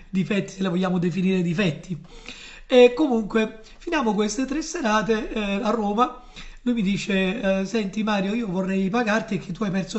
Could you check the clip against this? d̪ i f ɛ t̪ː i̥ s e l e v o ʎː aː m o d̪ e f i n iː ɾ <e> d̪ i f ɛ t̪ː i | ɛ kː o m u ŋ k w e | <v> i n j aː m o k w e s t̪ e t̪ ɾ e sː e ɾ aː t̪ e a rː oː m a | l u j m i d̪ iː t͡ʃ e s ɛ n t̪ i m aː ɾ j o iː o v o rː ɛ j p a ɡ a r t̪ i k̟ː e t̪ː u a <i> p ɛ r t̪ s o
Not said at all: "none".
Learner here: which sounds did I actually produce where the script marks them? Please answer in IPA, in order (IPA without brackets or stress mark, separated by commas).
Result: e, f, j